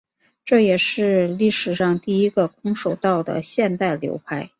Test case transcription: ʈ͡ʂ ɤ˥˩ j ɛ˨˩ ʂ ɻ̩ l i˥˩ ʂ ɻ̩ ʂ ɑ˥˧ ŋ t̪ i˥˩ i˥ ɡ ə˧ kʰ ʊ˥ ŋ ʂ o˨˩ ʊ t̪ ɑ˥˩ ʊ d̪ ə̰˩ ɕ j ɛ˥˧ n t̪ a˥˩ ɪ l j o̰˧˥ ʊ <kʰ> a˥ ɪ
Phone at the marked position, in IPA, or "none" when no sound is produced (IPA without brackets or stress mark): pʰ